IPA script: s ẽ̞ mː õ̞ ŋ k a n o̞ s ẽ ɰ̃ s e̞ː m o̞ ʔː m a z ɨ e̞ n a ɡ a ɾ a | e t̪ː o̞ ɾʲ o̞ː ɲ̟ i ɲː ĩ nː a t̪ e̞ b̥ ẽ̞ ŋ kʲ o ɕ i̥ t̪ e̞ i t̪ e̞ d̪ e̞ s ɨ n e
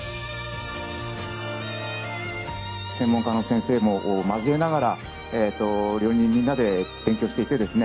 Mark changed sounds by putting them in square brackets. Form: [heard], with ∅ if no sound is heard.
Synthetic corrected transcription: s ẽ̞ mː õ̞ ŋ k a n o̞ s ẽ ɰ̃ s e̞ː m o̞ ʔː m a z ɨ e̞ n a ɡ a ɾ a | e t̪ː o̞ ɾʲ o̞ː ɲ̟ [ĩ] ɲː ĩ nː a [d̪] e̞ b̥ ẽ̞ ŋ kʲ o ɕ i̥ t̪ e̞ i t̪ e̞ d̪ e̞ s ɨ n e